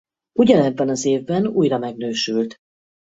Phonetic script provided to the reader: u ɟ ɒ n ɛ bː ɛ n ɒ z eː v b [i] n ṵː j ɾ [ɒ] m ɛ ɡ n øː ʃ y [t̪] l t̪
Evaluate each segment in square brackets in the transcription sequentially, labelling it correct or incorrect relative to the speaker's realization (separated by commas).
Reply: incorrect, correct, incorrect